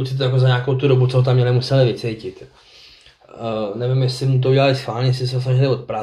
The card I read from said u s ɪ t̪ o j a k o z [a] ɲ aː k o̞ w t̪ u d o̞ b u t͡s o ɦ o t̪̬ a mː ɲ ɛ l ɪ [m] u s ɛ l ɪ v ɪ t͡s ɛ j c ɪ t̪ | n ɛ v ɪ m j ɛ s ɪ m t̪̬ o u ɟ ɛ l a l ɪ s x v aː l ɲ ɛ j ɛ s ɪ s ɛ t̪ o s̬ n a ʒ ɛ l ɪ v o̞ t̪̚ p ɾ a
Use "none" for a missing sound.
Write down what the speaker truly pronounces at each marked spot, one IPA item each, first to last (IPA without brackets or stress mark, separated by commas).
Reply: a, m